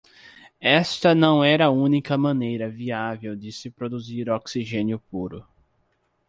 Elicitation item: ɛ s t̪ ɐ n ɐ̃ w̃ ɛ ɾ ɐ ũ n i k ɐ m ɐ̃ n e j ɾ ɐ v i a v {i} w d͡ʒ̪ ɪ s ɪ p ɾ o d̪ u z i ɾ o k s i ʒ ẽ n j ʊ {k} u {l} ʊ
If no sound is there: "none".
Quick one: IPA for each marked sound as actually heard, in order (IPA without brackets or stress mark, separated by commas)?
e, p, ɾ